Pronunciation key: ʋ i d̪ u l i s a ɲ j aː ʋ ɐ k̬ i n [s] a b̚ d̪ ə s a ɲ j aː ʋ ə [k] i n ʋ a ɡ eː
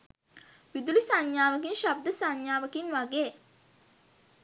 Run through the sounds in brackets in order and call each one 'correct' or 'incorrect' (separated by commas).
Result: incorrect, correct